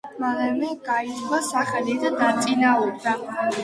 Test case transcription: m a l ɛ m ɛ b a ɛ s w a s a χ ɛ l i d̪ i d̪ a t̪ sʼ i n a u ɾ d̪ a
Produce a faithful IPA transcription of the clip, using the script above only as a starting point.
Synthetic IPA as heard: m a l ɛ m ɛ ɡ a i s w a s a χ ɛ l i d̪ a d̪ a t̪ sʼ i n a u ɾ d̪ a